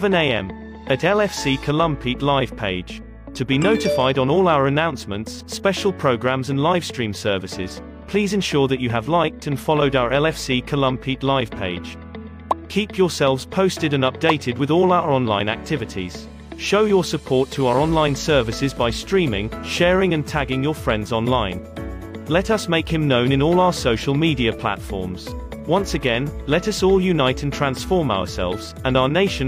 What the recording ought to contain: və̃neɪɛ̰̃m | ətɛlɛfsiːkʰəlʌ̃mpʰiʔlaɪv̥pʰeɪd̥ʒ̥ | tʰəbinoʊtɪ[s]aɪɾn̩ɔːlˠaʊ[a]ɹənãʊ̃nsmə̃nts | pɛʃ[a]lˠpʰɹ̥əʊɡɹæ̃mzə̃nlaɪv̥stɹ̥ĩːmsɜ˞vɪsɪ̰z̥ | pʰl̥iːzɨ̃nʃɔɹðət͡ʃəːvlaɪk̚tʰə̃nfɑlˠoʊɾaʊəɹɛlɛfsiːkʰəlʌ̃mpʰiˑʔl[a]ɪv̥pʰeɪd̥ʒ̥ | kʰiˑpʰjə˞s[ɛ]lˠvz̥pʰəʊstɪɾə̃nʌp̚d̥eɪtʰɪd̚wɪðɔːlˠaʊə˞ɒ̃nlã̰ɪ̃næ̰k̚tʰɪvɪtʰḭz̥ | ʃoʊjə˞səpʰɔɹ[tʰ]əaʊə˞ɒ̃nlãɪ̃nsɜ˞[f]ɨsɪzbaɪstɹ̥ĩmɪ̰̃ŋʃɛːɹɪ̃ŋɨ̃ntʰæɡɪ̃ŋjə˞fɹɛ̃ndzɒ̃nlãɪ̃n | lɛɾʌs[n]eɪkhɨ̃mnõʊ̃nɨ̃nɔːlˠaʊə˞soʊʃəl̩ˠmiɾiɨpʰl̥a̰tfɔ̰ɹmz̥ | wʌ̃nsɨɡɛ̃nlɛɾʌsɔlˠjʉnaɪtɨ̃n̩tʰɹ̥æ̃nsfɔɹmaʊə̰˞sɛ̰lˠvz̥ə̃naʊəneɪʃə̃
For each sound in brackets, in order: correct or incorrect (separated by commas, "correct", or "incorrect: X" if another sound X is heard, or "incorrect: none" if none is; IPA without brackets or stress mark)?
incorrect: f, incorrect: ə, incorrect: ə, correct, correct, correct, incorrect: v, incorrect: m